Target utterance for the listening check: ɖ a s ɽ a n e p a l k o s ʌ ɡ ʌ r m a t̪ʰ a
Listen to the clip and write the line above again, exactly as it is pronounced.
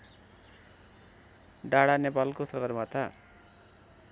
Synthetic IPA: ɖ a ɽ a n e p a l k o s ʌ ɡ ʌ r m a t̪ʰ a